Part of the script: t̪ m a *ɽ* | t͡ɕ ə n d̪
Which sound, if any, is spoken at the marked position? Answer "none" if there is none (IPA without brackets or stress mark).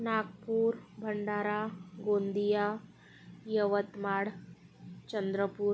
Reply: ɽ